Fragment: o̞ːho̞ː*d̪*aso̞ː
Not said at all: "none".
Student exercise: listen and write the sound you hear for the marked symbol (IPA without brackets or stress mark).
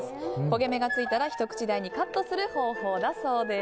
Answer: d̪